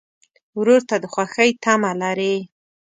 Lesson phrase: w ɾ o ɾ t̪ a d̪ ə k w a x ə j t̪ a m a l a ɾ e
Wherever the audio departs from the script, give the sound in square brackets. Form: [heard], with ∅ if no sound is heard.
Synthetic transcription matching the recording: w ɾ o ɾ t̪ a d̪ ə [x] w a x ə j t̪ a m a l a ɾ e